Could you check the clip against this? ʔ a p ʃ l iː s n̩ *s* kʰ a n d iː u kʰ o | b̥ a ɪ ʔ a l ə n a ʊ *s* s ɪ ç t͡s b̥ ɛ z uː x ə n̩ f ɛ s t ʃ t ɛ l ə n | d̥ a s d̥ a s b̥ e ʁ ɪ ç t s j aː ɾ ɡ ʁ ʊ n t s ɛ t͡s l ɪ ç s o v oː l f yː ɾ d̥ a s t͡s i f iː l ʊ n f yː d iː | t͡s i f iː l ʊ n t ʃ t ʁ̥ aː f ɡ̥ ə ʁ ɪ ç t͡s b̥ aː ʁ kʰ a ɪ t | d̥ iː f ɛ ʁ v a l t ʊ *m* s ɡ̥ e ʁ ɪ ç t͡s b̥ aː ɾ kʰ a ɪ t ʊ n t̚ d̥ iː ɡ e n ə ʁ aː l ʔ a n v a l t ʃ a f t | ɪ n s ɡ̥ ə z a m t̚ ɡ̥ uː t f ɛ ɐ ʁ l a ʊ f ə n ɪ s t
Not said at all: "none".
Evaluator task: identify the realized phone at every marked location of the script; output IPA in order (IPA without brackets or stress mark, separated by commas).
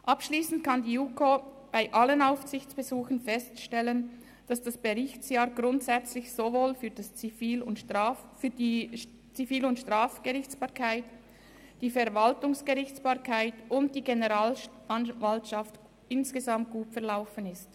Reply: t, f, ŋ